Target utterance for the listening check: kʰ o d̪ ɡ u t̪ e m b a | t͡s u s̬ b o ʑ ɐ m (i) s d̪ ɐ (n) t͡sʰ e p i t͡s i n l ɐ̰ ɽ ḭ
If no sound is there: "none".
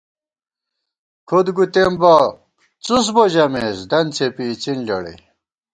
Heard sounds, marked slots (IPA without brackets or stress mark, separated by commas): e, n